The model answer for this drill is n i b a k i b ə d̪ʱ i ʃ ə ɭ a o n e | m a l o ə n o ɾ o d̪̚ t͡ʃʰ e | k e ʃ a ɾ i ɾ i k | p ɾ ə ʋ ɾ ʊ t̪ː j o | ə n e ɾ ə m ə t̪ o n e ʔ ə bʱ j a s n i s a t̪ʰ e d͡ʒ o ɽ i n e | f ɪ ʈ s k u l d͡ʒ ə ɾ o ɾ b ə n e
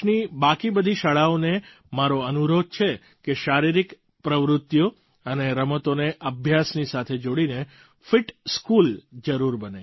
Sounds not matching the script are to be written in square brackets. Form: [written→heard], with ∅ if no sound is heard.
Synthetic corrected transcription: n i b a k i b ə d̪ʱ i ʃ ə ɭ a o n e | m a [l→ɾ] o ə n [o→u] ɾ o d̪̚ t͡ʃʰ e | k e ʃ a ɾ i ɾ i k | p ɾ ə ʋ ɾ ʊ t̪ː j o | ə n e ɾ ə m ə t̪ o n e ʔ ə bʱ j a s n i s a t̪ʰ e d͡ʒ o ɽ i n e | f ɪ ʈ s k u l d͡ʒ ə ɾ [o→u] ɾ b ə n e